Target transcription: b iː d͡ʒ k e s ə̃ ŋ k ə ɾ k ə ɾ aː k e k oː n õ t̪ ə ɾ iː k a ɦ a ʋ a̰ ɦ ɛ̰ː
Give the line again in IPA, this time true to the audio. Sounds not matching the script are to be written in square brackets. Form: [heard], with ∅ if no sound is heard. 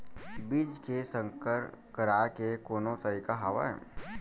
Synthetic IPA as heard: b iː d͡ʒ k e s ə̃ ŋ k ə ɾ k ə ɾ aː k e k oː n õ t̪ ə ɾ iː k a ɦ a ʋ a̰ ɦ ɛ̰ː